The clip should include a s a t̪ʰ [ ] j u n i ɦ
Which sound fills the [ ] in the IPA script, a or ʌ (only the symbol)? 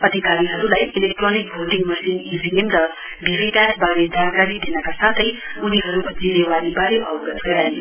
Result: ʌ